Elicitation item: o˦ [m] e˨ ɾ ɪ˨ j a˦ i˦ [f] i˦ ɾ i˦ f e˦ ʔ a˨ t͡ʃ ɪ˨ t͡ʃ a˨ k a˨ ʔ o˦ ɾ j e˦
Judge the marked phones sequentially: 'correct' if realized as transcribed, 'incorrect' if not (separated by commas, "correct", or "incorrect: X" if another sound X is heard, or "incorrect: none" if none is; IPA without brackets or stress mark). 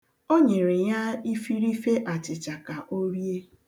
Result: incorrect: ɲ, correct